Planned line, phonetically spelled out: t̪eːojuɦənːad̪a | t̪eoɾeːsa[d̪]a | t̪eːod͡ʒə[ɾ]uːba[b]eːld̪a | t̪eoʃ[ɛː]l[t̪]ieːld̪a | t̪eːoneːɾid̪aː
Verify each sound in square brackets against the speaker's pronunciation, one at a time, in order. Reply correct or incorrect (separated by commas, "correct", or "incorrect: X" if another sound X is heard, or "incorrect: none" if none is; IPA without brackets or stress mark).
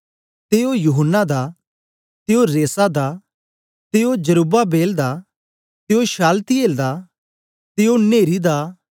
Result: correct, correct, correct, incorrect: aː, correct